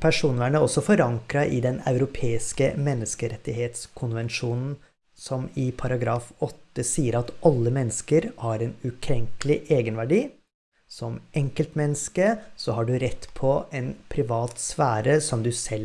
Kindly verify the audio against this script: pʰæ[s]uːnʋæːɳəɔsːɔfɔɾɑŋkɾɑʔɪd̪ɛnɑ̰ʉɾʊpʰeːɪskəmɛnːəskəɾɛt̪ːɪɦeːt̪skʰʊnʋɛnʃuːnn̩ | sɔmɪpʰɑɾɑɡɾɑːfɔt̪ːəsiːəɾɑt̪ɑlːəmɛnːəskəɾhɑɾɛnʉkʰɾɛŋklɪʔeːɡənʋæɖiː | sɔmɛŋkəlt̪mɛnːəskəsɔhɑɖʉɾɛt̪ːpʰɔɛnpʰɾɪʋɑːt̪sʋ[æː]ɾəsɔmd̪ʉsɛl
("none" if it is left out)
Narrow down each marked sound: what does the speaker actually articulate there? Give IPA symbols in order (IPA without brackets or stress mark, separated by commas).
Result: ʂ, æː